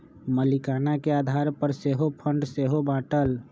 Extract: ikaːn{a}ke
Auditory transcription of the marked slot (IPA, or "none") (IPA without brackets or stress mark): a